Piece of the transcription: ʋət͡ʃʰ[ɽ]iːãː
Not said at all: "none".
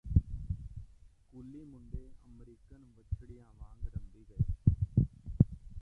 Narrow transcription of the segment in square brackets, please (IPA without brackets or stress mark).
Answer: ɽ